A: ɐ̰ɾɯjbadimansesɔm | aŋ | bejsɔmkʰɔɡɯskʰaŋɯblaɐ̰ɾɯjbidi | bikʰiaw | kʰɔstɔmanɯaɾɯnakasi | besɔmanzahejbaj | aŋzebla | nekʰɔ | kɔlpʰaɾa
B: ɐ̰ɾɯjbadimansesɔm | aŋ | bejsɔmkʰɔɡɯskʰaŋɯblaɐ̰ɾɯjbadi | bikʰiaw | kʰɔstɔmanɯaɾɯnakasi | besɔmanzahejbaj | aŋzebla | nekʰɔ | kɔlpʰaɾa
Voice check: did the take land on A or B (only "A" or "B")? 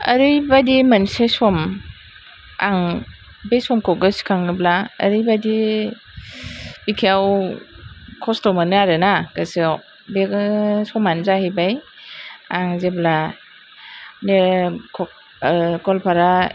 B